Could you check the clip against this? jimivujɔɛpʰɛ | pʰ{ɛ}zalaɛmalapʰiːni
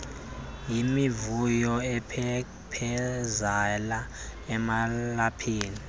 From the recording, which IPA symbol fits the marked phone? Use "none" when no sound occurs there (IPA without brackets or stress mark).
ɛ